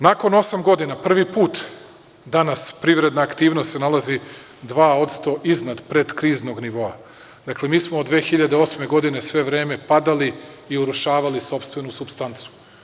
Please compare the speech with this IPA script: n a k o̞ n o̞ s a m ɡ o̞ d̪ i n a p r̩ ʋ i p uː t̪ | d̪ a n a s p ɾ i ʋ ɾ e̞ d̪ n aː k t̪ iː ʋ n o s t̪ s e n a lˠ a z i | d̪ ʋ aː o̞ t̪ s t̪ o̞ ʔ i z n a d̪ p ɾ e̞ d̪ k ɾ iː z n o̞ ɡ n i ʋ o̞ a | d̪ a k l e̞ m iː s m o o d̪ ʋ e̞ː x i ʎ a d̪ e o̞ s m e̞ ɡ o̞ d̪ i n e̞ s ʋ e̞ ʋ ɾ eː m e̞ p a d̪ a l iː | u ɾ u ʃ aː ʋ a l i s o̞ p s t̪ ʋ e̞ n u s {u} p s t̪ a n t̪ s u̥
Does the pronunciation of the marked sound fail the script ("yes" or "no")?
no